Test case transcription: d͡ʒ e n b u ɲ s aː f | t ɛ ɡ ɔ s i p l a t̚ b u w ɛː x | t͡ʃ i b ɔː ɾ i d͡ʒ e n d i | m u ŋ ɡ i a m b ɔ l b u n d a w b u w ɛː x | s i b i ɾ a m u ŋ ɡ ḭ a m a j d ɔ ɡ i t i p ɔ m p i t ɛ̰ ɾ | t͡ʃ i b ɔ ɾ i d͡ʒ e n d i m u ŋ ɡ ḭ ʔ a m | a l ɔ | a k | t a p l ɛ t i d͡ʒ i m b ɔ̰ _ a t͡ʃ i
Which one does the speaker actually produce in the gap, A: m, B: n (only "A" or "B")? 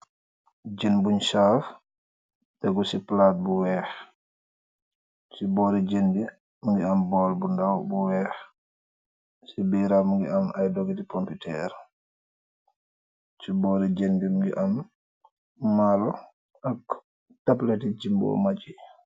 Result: A